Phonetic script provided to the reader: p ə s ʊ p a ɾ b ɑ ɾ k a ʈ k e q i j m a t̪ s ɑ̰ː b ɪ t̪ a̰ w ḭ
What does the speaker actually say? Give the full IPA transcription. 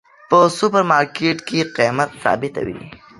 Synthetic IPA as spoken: p ə s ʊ p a ɾ m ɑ ɾ k e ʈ k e q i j m a t̪ s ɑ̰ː b ɪ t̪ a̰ w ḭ